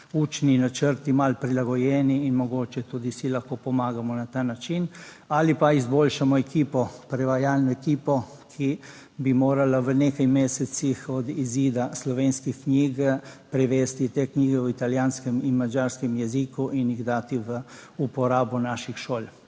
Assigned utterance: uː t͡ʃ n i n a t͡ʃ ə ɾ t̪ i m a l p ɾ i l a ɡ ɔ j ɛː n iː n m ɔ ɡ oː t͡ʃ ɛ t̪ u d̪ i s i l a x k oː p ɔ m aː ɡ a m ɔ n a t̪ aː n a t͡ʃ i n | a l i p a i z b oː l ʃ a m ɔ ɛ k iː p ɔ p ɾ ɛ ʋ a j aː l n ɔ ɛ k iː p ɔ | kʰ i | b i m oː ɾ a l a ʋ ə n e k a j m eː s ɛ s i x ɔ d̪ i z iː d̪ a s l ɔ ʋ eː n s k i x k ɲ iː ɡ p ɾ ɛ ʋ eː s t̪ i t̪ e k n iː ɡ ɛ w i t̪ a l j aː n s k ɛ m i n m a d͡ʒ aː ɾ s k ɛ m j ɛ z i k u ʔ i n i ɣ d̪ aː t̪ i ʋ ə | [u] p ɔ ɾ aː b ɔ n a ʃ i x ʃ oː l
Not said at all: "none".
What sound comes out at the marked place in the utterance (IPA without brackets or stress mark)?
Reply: u